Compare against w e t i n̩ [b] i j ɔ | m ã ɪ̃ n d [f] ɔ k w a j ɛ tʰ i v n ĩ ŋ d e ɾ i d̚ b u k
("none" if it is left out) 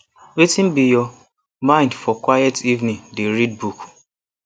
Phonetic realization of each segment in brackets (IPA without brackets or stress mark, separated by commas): b, f